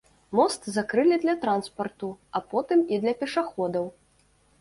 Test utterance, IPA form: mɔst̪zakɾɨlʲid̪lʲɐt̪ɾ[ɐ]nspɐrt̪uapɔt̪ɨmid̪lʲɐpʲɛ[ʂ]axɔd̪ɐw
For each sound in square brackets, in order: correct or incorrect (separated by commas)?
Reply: incorrect, correct